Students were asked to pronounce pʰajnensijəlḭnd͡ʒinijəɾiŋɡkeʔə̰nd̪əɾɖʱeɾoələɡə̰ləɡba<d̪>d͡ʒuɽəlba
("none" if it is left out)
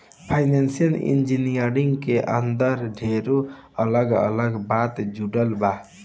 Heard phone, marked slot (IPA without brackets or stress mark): t̪